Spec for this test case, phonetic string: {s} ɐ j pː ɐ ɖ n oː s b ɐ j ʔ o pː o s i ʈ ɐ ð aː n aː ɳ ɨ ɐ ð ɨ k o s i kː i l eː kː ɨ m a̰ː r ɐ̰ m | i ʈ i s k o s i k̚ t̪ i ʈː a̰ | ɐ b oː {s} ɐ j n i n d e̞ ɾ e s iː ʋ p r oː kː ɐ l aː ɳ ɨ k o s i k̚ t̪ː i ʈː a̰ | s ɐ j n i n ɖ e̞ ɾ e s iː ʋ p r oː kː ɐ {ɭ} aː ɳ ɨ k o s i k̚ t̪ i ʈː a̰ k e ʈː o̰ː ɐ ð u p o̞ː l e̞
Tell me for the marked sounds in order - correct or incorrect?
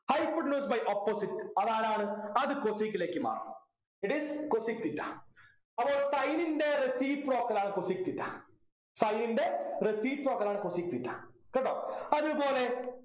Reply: incorrect: h, correct, incorrect: l

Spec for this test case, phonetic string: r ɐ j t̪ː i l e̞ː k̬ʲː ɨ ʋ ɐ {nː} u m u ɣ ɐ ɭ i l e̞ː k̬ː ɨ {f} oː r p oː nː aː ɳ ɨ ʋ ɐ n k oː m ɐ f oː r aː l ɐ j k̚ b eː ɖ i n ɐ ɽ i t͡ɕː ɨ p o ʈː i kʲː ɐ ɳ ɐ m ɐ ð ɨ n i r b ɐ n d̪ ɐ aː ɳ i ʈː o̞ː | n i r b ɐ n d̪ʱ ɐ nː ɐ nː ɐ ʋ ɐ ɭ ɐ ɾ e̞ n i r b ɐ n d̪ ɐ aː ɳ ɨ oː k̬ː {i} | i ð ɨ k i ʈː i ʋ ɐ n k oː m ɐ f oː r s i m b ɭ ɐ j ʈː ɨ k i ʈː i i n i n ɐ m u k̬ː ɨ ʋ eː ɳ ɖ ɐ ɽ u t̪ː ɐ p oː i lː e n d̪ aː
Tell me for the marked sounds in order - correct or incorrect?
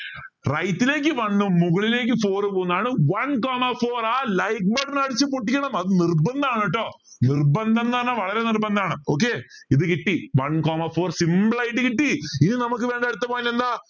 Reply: correct, correct, incorrect: e

